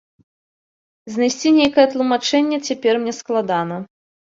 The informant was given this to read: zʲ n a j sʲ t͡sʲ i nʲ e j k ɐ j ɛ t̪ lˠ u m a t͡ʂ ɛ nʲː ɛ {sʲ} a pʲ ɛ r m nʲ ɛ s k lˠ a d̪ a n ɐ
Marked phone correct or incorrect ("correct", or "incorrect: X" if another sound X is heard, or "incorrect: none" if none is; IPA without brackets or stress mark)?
incorrect: t͡sʲ